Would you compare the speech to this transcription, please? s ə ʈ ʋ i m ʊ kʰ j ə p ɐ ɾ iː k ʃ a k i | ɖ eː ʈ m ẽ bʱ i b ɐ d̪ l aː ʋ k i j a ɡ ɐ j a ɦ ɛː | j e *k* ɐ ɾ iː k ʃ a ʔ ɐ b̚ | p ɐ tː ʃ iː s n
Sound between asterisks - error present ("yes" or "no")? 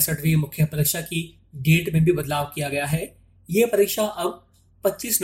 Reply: yes